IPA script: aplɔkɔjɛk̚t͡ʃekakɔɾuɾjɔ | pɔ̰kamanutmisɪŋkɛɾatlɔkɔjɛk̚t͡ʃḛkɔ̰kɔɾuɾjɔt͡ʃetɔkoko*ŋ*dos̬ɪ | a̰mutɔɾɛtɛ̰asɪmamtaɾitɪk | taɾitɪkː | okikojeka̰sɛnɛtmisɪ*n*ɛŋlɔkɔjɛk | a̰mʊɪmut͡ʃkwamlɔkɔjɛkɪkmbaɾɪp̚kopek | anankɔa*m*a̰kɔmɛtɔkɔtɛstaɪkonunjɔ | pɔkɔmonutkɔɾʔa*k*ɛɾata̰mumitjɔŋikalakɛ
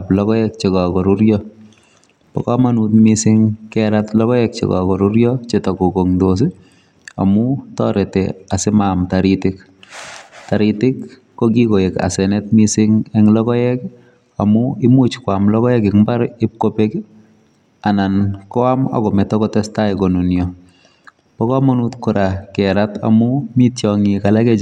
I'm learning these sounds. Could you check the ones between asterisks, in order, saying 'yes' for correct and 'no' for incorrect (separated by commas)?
yes, no, yes, yes